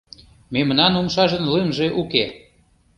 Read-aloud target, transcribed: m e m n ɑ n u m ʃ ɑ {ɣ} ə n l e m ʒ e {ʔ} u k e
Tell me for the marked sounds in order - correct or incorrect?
incorrect: ʒ, correct

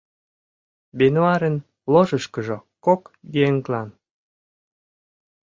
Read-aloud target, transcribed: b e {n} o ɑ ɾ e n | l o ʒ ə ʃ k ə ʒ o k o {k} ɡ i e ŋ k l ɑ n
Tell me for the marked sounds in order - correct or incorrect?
correct, correct

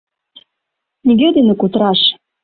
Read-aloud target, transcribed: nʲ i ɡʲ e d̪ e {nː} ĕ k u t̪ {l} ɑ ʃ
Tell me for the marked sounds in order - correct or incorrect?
incorrect: n, incorrect: ɾ

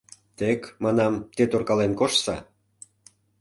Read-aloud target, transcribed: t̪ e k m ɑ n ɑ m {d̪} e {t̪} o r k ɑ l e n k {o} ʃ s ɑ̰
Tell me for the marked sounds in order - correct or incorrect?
incorrect: t̪, correct, correct

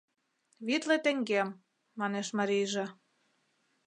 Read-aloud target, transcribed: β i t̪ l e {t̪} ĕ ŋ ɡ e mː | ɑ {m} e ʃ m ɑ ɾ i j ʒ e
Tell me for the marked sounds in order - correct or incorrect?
correct, incorrect: n

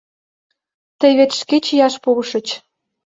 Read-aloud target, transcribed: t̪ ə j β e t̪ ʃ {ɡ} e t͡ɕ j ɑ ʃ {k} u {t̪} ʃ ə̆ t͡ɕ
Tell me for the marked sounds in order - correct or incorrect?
incorrect: k, incorrect: p, incorrect: none

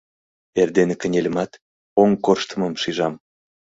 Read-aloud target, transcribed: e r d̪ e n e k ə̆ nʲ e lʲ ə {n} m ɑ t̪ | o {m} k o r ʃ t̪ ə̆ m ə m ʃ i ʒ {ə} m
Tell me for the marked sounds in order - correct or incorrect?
incorrect: none, incorrect: ŋ, incorrect: ɑ

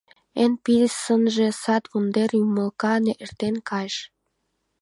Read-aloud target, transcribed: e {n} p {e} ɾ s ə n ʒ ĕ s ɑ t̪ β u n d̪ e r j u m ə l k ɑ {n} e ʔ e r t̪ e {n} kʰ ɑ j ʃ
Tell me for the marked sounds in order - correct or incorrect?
correct, incorrect: i, correct, correct

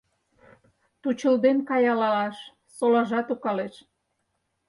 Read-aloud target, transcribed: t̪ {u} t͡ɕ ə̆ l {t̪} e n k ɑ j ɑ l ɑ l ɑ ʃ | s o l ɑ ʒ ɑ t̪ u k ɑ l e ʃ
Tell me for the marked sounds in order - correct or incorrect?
correct, incorrect: d̪

